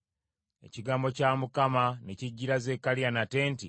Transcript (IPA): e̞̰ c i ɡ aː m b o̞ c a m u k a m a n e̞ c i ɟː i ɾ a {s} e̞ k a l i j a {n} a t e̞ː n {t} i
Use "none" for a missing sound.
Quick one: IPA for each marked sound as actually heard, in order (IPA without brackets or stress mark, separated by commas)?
z, n, t